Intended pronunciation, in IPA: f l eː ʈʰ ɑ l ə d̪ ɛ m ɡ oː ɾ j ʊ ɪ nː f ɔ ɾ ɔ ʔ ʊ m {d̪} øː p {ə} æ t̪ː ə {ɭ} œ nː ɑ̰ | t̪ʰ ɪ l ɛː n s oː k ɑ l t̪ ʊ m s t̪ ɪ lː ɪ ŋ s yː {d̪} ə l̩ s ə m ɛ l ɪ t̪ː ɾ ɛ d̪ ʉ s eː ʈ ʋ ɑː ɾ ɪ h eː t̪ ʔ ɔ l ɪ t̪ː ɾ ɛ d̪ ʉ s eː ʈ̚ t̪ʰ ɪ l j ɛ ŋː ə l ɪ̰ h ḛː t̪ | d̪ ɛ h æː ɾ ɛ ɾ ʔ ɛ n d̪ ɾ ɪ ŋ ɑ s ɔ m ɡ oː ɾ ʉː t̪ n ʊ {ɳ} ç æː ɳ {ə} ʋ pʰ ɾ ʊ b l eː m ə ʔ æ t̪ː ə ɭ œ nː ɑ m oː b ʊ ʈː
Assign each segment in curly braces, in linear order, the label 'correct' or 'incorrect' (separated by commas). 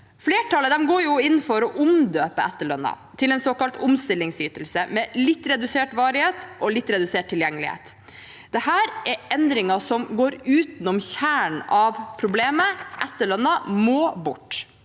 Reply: correct, correct, correct, incorrect, incorrect, incorrect